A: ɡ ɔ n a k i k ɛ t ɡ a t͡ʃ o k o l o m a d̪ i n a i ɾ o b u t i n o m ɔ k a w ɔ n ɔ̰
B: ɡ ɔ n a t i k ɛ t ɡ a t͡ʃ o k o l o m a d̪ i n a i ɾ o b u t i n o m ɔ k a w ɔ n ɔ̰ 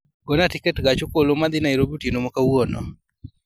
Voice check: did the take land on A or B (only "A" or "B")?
B